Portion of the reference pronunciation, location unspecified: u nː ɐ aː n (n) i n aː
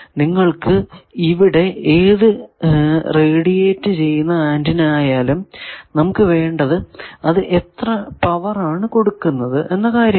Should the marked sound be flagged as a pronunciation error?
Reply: yes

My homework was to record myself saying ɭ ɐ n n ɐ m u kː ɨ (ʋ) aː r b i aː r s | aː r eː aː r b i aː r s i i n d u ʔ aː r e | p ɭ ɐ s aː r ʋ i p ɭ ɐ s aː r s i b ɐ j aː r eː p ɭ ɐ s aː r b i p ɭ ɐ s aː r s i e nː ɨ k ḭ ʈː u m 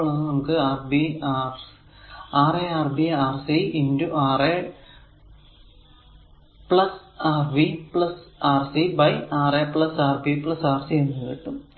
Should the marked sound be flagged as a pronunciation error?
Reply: yes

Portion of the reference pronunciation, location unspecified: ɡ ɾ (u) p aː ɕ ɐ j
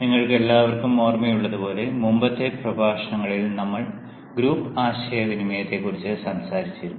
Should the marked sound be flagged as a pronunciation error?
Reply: yes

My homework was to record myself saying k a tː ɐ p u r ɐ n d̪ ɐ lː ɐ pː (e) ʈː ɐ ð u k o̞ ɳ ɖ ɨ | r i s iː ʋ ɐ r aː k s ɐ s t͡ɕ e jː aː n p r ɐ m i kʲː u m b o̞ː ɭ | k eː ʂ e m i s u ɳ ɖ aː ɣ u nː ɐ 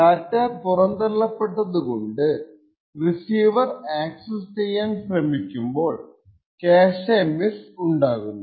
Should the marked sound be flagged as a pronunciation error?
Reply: no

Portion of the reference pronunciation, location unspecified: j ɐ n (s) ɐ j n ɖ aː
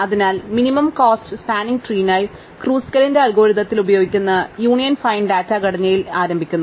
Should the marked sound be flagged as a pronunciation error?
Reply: yes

